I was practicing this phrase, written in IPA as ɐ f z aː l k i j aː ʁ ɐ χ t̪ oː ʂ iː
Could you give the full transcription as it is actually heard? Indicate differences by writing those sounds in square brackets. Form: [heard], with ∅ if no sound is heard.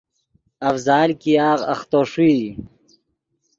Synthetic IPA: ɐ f z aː l k i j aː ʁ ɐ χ t̪ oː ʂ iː

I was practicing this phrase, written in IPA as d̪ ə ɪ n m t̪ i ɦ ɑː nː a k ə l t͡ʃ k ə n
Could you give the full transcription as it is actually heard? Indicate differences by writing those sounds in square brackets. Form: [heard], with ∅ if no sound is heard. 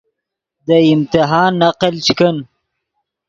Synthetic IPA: d̪ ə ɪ [∅] m t̪ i ɦ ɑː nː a [q] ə l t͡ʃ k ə n

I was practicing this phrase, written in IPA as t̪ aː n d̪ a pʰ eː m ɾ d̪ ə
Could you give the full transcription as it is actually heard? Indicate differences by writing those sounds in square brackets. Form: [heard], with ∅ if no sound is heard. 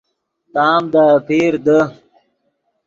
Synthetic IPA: t̪ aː [m] d̪ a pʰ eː [∅] ɾ d̪ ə

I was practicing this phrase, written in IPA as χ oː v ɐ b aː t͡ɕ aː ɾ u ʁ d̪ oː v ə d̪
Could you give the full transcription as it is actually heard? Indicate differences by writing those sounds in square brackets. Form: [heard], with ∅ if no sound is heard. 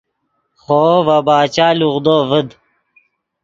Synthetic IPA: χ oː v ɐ b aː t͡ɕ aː [l] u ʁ d̪ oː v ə d̪

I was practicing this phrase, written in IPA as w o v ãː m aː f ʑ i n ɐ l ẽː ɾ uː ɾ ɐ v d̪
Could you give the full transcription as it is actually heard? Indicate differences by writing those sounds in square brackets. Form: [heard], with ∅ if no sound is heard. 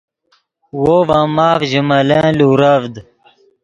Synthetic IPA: w o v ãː m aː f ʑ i [m] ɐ l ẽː [l] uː ɾ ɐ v d̪

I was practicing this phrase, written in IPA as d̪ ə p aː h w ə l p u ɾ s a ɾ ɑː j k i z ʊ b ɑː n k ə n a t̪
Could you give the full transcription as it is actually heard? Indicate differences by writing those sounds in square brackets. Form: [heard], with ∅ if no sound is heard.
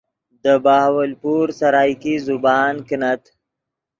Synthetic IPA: d̪ ə [b] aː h w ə l p u ɾ s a ɾ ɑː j k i z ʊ b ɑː n k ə n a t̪

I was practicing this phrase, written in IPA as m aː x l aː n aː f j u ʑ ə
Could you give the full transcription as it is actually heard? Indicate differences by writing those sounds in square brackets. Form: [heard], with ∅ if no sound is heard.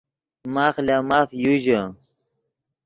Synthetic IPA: m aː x l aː [m] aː f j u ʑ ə

